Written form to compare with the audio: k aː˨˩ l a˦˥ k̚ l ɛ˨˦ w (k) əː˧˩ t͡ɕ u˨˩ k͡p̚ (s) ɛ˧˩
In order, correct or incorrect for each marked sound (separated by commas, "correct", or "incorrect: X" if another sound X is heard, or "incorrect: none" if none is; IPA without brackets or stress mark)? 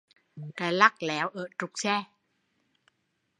incorrect: ʔ, correct